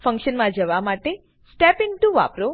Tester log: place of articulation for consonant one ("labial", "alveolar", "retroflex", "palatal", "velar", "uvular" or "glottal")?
labial